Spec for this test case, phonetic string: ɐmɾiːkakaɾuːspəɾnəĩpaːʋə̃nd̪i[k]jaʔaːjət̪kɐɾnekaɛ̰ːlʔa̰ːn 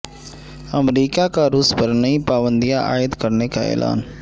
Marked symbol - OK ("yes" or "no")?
no